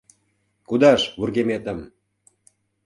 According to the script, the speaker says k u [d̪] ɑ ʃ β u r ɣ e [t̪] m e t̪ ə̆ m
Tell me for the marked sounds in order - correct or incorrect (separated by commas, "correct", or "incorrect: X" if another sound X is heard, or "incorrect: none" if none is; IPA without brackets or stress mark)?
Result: correct, incorrect: none